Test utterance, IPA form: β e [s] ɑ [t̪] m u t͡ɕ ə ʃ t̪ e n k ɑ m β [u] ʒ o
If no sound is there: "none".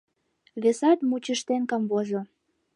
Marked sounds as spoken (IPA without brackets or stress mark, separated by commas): s, t̪, o